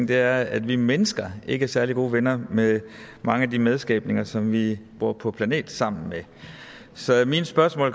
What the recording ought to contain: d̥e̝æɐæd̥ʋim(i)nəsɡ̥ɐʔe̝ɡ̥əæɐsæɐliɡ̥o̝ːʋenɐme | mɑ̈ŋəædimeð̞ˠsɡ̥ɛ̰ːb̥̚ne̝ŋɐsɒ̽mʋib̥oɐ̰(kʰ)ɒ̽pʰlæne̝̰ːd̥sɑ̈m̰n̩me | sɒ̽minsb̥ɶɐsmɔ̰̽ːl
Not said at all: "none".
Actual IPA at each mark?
e, pʰ

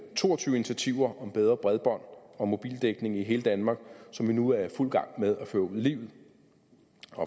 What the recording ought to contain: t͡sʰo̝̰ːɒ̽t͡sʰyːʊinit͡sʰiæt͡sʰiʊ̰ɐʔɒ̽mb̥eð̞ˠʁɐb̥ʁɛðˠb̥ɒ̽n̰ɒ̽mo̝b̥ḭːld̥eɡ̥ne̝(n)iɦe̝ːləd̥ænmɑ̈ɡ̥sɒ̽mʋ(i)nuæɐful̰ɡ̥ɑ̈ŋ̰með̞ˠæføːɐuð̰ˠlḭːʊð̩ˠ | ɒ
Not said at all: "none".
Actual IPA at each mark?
ŋ, i

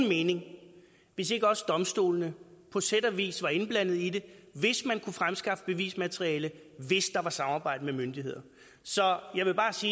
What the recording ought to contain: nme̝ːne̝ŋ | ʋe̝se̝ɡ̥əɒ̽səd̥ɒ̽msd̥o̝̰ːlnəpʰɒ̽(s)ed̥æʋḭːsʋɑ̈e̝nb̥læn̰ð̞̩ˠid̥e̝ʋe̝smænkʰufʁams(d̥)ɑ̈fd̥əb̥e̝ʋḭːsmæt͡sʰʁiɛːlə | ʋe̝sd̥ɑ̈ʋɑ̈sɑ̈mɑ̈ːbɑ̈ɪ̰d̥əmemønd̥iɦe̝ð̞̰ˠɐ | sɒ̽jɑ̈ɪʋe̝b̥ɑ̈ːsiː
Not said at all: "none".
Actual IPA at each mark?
s, ɡ̥

